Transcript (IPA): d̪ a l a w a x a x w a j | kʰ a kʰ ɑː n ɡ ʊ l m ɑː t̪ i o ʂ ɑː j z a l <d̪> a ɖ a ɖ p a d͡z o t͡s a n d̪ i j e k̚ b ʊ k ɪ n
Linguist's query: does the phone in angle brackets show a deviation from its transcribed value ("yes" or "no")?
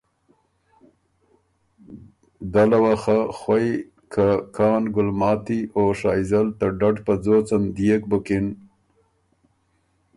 yes